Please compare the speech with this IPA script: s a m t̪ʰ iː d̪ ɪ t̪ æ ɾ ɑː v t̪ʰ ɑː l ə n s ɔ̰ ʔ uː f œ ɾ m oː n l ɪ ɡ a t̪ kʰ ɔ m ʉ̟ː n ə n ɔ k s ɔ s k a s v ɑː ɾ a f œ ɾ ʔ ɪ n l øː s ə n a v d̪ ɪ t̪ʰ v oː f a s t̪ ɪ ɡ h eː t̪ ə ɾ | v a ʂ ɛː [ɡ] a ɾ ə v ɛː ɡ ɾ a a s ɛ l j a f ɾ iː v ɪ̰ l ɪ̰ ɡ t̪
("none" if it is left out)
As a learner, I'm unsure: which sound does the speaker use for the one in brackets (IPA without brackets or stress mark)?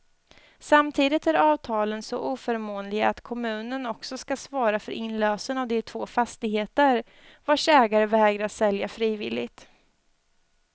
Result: ɡ